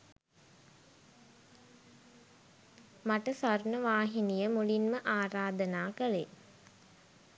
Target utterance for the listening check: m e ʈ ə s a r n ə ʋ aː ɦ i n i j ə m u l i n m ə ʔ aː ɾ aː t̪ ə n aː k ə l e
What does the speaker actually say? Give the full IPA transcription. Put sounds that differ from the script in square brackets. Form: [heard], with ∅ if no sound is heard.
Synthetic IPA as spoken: m [a] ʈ ə s a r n ə ʋ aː ɦ i n i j ə m u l i n m ə ʔ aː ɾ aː [d̪] ə n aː k ə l e